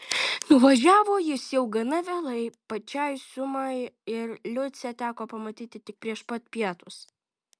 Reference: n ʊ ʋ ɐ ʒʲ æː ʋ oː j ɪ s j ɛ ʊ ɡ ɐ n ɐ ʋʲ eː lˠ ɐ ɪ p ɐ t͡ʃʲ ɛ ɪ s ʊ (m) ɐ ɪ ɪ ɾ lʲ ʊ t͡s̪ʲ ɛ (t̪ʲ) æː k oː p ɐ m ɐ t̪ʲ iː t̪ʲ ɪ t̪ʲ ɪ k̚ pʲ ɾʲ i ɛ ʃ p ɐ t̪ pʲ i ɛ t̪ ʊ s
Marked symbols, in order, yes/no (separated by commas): yes, yes